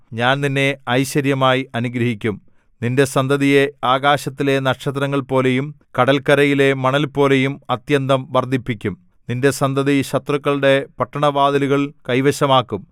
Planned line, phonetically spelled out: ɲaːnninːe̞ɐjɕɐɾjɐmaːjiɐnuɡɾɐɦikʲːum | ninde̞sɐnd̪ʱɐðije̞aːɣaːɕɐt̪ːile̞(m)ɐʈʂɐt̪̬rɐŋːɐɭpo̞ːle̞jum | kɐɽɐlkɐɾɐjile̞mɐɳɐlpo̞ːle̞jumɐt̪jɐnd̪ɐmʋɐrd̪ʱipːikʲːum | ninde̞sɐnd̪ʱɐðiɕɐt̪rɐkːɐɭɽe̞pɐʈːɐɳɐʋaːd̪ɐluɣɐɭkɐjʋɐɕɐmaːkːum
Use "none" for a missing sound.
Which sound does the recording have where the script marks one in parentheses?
n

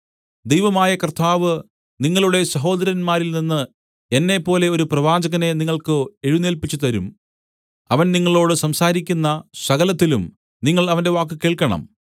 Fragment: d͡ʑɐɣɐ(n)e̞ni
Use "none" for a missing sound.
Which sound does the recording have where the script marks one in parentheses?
n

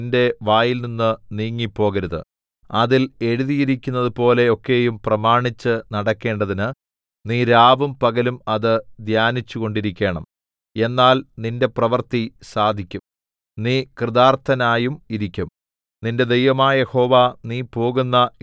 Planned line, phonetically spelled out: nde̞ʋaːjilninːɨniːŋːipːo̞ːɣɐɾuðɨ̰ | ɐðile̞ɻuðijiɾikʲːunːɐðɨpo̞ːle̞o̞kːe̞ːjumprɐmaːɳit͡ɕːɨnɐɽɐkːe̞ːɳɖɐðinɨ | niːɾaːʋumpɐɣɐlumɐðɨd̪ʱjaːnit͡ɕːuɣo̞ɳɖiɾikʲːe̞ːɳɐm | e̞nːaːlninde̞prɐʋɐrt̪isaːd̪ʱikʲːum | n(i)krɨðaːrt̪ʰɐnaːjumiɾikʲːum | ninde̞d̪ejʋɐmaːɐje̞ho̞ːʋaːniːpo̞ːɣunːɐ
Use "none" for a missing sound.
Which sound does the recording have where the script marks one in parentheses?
iː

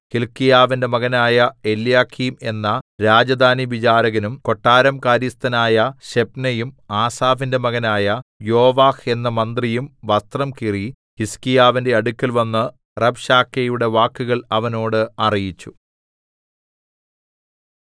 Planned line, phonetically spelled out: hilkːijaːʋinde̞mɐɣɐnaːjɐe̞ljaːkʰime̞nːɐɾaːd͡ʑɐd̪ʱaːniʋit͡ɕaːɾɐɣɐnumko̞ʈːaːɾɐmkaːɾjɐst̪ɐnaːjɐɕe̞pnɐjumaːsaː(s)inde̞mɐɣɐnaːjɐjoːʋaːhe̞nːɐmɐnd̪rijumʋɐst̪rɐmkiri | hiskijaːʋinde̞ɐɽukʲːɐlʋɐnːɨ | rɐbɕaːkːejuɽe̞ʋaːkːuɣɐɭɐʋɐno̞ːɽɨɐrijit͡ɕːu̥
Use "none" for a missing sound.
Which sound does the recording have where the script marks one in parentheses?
f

